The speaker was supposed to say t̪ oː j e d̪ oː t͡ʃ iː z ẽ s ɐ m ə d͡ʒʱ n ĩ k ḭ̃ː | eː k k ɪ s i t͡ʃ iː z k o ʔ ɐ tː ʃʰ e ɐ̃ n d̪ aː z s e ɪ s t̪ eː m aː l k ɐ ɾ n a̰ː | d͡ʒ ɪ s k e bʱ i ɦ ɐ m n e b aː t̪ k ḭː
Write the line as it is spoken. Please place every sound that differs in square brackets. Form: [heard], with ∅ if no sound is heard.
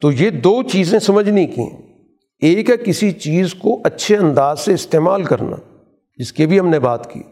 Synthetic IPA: t̪ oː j e d̪ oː t͡ʃ iː z ẽ s ɐ m ə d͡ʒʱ n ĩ k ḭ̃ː | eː k k ɪ s i t͡ʃ iː z k o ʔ ɐ tː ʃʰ e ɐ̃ n d̪ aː z s e ɪ s t̪ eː m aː l k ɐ ɾ n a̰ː | d͡ʒ ɪ s k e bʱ i ɦ ɐ m n e b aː t̪ k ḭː